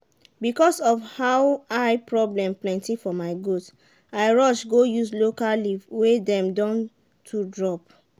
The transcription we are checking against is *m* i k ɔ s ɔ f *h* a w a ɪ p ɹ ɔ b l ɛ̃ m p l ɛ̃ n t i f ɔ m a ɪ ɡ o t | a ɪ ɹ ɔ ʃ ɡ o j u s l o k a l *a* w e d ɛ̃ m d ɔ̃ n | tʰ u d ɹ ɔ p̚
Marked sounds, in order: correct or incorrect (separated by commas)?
incorrect, correct, incorrect